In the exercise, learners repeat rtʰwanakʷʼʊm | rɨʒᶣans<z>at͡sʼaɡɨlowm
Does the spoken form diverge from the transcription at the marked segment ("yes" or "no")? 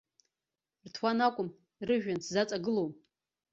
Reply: no